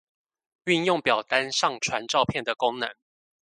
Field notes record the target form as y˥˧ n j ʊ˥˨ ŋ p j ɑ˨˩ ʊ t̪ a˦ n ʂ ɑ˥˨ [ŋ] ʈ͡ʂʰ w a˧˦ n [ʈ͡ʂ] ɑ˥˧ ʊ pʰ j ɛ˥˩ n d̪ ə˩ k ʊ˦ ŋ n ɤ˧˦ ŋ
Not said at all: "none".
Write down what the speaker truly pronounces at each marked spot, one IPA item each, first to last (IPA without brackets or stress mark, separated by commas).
ŋ, ʈ͡ʂ